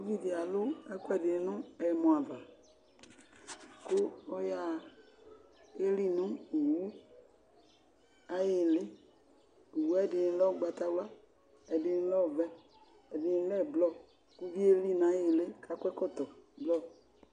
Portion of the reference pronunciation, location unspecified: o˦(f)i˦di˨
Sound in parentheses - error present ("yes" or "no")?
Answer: yes